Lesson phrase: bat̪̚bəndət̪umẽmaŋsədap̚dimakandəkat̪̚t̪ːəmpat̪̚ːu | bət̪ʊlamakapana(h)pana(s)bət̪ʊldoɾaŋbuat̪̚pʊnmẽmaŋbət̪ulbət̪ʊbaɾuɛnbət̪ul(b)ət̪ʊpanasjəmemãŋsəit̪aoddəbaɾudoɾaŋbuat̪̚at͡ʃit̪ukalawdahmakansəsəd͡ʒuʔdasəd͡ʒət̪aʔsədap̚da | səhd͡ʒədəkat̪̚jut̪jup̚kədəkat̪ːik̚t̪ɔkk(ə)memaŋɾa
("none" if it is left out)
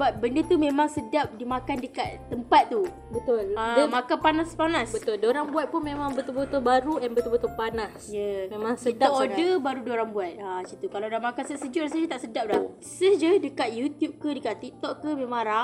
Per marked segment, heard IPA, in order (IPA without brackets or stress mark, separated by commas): s, s, b, ə